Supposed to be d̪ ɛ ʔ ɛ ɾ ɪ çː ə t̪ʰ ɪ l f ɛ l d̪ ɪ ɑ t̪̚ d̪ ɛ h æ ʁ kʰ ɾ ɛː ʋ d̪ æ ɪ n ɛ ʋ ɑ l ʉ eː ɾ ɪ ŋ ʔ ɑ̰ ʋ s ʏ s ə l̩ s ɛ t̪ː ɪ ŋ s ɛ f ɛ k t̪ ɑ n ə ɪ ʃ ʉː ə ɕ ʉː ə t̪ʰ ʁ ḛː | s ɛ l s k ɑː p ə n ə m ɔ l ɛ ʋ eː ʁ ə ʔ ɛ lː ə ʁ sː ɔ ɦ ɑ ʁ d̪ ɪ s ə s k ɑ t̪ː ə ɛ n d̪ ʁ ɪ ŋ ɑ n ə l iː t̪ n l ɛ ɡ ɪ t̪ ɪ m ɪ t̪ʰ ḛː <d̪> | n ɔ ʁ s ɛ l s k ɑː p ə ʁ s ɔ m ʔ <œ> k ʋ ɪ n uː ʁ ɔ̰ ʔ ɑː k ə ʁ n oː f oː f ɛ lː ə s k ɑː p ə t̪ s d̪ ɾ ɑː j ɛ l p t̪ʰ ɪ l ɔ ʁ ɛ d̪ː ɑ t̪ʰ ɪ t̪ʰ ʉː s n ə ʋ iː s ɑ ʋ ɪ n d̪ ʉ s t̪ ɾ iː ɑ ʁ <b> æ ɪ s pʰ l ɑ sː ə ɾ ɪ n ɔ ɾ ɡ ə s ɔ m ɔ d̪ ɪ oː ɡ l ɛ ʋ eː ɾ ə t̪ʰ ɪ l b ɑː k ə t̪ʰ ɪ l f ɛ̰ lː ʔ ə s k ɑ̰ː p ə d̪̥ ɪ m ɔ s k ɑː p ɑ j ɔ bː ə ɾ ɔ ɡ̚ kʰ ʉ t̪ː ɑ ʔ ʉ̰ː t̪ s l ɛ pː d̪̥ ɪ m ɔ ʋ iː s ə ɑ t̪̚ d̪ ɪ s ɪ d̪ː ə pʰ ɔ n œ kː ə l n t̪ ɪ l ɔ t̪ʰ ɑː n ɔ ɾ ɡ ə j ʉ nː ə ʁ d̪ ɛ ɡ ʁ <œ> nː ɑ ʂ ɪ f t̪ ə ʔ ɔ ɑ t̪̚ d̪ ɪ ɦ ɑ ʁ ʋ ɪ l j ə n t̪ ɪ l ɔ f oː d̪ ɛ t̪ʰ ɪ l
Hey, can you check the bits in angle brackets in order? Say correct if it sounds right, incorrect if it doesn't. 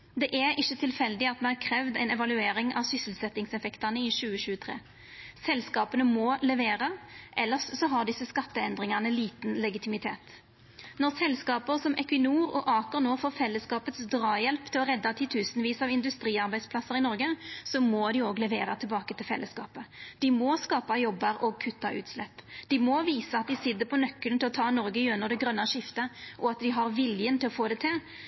incorrect: t̪, incorrect: ɛ, correct, correct

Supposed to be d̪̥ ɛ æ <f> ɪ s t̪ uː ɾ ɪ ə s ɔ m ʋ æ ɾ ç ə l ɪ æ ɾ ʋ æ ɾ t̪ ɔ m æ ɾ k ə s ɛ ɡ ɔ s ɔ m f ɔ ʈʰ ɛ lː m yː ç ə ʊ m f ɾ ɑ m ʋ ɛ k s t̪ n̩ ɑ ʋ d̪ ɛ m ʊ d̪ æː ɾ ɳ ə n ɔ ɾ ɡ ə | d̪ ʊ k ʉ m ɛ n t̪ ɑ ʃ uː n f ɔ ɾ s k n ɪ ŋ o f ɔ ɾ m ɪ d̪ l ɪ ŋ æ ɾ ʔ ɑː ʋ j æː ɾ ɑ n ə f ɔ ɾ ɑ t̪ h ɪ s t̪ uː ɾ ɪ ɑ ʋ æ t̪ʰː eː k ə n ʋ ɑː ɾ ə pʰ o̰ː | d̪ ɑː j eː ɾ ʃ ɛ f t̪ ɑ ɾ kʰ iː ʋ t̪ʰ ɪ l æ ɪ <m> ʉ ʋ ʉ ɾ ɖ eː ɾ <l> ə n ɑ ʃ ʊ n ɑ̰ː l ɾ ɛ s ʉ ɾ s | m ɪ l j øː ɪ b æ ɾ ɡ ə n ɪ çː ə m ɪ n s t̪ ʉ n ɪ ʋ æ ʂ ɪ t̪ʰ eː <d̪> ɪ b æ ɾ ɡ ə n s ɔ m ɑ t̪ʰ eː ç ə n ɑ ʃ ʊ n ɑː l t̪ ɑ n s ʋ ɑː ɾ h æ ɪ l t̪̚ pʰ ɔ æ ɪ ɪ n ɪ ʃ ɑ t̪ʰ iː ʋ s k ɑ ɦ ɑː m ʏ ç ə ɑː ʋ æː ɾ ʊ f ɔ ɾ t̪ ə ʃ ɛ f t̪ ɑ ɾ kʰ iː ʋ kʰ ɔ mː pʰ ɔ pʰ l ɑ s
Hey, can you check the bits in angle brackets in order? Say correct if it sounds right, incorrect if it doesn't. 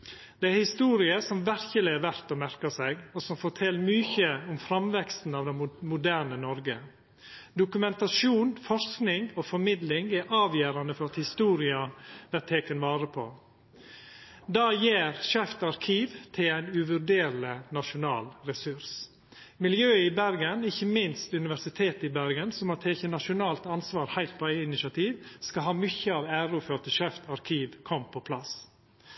incorrect: h, incorrect: n, correct, incorrect: t̪

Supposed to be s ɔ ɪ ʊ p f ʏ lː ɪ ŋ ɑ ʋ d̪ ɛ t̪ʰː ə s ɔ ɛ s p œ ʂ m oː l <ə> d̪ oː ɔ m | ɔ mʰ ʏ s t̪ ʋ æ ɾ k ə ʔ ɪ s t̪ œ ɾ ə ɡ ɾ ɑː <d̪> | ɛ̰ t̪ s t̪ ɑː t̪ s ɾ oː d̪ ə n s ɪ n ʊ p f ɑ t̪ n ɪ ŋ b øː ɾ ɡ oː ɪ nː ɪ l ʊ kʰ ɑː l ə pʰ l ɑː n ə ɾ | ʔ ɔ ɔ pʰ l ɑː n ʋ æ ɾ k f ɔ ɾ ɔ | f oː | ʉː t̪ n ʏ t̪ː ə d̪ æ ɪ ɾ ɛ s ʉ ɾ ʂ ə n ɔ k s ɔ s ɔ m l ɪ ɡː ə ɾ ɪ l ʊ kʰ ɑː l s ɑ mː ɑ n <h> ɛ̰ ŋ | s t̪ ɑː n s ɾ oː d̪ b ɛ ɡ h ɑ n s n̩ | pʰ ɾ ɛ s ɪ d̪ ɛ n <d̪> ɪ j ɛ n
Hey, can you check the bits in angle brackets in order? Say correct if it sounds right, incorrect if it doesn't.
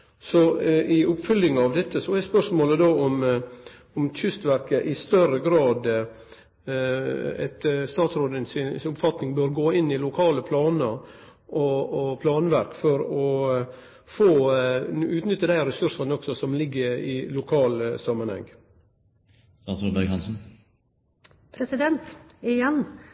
correct, correct, correct, incorrect: t̪

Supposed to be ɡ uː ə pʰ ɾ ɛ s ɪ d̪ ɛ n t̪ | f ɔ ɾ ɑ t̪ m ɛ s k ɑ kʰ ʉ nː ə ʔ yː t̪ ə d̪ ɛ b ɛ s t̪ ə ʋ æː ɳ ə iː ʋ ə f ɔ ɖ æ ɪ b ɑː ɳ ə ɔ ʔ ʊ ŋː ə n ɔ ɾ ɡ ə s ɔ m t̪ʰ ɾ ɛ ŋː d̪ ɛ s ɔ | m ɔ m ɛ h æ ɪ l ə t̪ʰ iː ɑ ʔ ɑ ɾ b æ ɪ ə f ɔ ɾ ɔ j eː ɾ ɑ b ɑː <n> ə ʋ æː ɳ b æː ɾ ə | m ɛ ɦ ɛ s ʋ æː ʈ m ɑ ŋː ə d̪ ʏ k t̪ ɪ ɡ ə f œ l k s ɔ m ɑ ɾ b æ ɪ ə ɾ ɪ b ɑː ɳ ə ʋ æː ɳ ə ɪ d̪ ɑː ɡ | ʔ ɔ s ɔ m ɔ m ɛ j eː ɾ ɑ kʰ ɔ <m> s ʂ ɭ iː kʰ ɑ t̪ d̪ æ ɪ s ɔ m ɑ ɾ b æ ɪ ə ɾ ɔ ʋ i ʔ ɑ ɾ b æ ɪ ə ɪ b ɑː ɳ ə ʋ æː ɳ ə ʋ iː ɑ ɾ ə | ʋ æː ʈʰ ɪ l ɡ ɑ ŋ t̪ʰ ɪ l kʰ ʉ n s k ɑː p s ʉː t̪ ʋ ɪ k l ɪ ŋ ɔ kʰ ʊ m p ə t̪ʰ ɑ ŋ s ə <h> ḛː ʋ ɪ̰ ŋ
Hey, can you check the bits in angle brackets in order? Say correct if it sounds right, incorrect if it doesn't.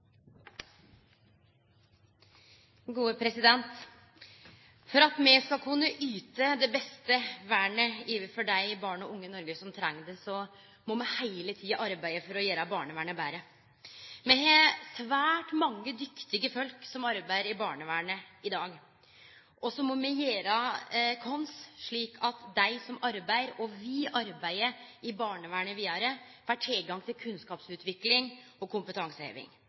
incorrect: ɳ, incorrect: n, correct

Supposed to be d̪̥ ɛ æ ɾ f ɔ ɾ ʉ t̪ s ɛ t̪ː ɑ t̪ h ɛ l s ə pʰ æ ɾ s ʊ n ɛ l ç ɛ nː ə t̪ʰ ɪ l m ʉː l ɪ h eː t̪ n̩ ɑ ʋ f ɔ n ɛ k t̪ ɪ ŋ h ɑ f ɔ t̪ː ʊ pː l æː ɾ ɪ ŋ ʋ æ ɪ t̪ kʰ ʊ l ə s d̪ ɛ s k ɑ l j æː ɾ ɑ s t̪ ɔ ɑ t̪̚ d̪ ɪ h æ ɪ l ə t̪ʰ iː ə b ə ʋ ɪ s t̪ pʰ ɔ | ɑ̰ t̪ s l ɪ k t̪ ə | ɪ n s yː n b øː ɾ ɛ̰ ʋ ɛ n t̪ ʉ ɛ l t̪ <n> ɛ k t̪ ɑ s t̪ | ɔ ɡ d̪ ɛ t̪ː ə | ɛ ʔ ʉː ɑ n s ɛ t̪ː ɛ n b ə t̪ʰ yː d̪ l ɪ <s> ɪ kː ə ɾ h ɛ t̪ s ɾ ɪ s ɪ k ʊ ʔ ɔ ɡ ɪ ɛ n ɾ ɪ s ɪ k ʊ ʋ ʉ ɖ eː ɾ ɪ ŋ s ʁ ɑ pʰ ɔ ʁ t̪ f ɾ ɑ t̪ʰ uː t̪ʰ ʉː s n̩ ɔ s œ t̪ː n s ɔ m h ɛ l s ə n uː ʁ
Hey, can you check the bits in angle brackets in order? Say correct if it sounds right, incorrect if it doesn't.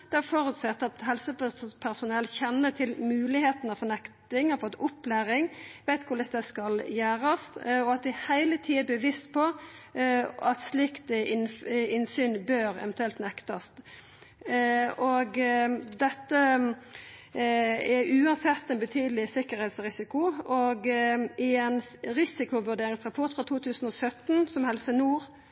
correct, correct

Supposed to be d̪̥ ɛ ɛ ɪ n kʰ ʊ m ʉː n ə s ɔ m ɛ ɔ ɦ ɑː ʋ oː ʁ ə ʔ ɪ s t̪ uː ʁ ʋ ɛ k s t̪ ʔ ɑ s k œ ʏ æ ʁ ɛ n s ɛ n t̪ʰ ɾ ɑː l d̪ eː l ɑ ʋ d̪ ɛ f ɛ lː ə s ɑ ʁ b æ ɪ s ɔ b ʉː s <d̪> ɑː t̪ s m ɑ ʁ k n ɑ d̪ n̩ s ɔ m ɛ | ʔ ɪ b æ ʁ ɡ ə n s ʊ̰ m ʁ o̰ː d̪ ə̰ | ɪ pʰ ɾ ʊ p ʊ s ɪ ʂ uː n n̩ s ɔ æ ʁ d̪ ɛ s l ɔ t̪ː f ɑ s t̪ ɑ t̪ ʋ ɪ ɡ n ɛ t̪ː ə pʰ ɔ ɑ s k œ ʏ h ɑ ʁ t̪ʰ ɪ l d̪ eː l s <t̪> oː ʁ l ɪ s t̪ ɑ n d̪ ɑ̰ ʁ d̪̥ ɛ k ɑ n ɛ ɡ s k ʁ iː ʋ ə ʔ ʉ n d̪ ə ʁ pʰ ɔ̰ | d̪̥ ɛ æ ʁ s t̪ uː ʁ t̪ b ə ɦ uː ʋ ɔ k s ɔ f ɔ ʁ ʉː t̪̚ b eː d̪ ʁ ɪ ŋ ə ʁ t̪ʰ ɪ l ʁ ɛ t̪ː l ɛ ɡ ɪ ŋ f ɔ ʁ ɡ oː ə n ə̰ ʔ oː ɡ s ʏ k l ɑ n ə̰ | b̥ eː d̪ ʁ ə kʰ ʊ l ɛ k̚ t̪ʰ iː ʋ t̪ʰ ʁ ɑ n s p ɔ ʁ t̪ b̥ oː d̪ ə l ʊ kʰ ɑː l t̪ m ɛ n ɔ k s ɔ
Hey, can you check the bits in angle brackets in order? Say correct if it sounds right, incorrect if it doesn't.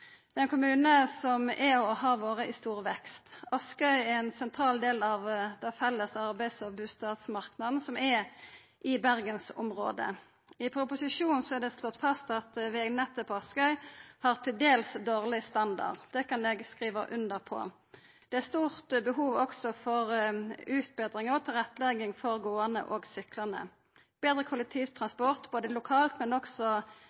incorrect: t̪, incorrect: d̪

